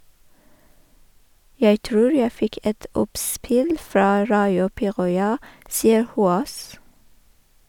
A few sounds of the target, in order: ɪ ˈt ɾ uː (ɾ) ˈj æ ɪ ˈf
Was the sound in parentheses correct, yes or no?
no